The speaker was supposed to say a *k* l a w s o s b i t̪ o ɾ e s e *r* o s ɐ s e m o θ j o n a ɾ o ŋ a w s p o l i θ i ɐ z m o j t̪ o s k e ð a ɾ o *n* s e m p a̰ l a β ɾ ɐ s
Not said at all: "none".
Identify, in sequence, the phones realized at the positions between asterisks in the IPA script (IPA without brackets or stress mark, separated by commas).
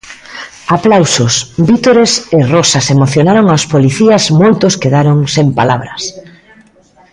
p, r, ŋ